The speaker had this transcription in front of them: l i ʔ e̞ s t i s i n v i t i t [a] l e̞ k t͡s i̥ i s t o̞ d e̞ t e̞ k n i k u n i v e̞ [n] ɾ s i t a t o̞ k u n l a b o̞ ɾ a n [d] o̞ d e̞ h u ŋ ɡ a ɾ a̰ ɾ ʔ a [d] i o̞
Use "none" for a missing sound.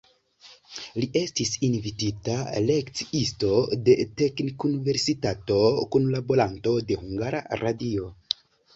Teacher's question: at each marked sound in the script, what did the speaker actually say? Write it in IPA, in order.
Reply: a, none, t, d

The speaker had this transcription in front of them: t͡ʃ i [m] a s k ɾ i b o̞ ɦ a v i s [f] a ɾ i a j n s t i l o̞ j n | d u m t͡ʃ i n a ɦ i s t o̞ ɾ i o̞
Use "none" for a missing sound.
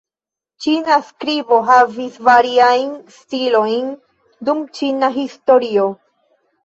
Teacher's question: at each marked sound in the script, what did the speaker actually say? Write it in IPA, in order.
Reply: n, v

